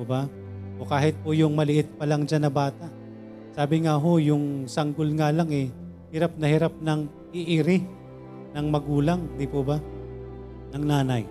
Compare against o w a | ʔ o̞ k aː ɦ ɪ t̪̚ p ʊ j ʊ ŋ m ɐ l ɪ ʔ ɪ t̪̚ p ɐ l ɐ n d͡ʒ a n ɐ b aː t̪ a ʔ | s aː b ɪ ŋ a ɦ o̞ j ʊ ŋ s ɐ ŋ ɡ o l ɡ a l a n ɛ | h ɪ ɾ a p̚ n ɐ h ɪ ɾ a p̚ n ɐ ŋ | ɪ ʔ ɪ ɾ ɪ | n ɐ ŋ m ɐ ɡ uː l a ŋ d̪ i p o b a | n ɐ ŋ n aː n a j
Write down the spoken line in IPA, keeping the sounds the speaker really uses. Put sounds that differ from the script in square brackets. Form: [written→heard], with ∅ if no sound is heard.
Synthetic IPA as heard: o [w→b] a | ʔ o̞ k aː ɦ ɪ t̪̚ p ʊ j ʊ ŋ m ɐ l ɪ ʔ ɪ t̪̚ p ɐ l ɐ [n→ŋ] d͡ʒ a n ɐ b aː t̪ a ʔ | s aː b ɪ ŋ a ɦ o̞ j ʊ ŋ s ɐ ŋ ɡ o l [ɡ→ŋ] a l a [n→ŋ] ɛ | h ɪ ɾ a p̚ n ɐ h ɪ ɾ a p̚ n ɐ ŋ | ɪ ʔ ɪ ɾ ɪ | n ɐ ŋ m ɐ ɡ uː l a ŋ d̪ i p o b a | n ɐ ŋ n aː n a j